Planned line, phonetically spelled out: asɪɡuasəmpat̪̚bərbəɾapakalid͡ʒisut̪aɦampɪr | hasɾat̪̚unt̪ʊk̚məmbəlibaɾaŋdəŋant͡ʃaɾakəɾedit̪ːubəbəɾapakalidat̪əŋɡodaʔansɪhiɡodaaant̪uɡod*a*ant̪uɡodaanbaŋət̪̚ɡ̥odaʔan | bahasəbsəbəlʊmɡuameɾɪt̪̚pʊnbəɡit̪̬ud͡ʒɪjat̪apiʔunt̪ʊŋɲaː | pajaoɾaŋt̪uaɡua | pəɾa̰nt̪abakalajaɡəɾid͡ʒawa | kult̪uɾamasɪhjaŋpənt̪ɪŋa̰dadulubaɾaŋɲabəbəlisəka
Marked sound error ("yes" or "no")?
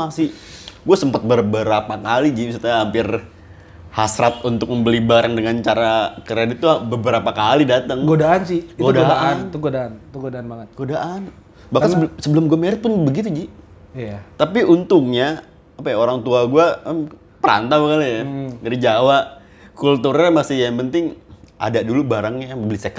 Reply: no